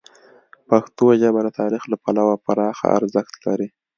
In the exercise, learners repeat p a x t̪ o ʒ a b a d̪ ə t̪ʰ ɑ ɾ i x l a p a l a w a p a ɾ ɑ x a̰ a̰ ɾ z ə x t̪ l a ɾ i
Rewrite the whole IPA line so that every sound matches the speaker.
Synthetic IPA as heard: p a x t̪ o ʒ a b a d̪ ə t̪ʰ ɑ ɾ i x l a p a l a w a p a ɾ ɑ x a̰ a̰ ɾ z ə x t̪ l a ɾ i